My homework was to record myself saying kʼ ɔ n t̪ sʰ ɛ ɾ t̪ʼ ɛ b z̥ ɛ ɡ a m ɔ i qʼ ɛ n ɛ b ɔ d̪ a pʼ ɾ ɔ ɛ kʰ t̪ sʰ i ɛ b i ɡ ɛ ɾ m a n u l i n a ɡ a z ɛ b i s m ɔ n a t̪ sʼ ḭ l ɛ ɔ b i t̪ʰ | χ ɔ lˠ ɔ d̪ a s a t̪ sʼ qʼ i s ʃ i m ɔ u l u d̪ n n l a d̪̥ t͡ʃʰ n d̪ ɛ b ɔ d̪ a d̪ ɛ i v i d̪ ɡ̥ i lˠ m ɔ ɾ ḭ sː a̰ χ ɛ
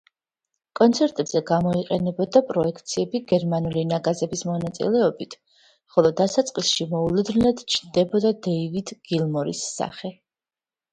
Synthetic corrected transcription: kʼ ɔ n t̪ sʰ ɛ ɾ t̪ʼ ɛ b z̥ ɛ ɡ a m ɔ i qʼ ɛ n ɛ b ɔ d̪ a pʼ ɾ ɔ ɛ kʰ t̪ sʰ i ɛ b i ɡ ɛ ɾ m a n u l i n a ɡ a z ɛ b i s m ɔ n a t̪ sʼ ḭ l ɛ ɔ b i t̪ʰ | χ ɔ lˠ ɔ d̪ a s a t̪ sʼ qʼ i s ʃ i m ɔ u l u d̪ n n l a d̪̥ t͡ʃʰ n d̪ ɛ b ɔ d̪ a d̪ ɛ i v i d̪ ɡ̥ i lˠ m ɔ ɾ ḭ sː a̰ χ ɛ